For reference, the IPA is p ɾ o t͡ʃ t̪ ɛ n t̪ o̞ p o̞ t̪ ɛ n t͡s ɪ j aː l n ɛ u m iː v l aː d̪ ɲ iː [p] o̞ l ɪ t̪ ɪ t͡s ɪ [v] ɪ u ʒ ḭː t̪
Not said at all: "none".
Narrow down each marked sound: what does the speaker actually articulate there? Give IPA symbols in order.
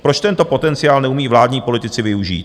p, v

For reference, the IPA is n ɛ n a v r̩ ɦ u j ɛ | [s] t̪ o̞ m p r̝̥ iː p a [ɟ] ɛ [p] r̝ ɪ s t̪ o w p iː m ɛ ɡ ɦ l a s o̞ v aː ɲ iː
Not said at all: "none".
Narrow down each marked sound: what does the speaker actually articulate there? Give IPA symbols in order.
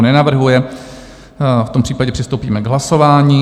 f, ɟ, p

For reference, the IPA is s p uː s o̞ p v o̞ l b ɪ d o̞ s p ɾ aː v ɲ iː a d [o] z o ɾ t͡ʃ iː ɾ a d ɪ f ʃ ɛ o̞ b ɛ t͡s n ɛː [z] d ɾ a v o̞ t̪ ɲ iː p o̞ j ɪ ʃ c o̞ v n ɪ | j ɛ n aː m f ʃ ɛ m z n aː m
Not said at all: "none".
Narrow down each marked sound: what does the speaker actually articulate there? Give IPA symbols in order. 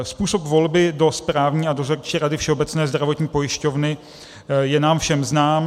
o, z

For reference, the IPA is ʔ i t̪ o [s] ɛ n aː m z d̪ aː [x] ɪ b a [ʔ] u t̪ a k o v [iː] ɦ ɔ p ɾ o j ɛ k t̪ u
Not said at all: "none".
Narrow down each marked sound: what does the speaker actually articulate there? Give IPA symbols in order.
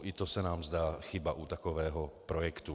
s, x, ʔ, ɛː

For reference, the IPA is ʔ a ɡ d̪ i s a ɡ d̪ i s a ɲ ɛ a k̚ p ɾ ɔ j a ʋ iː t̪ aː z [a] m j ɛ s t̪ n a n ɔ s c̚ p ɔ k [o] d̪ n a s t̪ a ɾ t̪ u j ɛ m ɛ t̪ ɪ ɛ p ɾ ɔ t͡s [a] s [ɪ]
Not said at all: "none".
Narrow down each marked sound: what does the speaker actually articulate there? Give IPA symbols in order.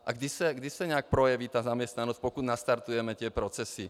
a, u, ɛ, i

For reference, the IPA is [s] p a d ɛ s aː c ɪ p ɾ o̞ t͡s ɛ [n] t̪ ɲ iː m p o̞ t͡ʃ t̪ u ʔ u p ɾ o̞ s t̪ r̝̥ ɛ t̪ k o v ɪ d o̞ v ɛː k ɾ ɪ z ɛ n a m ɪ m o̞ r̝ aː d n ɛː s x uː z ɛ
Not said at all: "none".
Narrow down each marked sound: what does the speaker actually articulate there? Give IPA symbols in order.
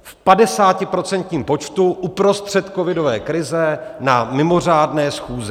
f, n

